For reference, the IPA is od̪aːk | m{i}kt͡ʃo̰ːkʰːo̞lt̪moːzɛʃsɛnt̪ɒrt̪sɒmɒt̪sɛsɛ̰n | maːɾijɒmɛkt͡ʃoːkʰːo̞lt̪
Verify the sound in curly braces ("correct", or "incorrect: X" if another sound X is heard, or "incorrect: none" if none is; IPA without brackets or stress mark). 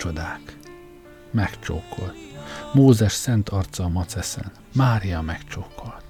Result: incorrect: ɛ